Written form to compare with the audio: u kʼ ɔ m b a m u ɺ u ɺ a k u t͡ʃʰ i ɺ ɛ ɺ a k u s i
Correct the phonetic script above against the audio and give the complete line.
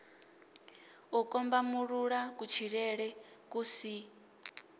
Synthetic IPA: u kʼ ɔ m b a m u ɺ u ɺ a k u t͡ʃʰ i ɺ ɛ ɺ ɛ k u s i